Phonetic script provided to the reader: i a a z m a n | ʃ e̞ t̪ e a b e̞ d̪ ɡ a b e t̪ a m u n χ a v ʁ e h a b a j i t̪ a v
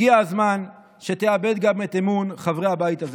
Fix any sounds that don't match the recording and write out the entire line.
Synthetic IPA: i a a z m a n | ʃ e̞ t̪ e a b e̞ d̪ ɡ a m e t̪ e m u n χ a v ʁ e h a b a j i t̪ a z